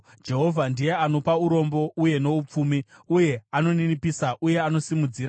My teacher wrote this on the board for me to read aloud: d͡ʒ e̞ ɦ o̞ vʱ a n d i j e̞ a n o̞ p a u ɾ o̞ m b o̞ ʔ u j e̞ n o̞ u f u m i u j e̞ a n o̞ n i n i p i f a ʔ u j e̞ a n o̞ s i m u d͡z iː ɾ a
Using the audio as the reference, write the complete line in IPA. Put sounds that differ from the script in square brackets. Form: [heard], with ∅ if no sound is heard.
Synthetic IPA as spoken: d͡ʒ e̞ ɦ o̞ vʱ a n d i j e̞ a n o̞ p a u ɾ o̞ m b o̞ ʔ u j e̞ n o̞ u [p͡f] u m i u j e̞ a n o̞ n i n i p i [s] a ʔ u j e̞ a n o̞ s i m u d͡z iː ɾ a